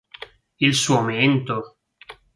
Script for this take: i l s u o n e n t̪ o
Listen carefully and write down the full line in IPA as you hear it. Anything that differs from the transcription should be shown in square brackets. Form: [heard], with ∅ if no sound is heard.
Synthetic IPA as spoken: i l s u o [m] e n t̪ o